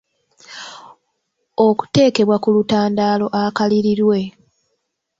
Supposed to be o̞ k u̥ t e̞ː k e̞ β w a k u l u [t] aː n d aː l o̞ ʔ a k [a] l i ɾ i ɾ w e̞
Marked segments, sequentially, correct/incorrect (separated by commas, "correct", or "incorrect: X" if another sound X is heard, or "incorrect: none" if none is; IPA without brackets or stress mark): correct, correct